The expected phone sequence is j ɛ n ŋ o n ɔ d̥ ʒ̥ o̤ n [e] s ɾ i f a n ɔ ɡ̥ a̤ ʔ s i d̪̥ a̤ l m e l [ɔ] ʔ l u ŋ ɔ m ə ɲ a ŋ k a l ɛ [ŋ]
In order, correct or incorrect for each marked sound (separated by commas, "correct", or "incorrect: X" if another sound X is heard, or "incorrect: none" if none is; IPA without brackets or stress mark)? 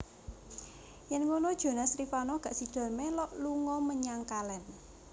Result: incorrect: a, correct, incorrect: n